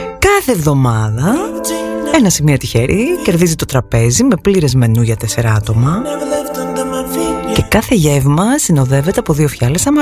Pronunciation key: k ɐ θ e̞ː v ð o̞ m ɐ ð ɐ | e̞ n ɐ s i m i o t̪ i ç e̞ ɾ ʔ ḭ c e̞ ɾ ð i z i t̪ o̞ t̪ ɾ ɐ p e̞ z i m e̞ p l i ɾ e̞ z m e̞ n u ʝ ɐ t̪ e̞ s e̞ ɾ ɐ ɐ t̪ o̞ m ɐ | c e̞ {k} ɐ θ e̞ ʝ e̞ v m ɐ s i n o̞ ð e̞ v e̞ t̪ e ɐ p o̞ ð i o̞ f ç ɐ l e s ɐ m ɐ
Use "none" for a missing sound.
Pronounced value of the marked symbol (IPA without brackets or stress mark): k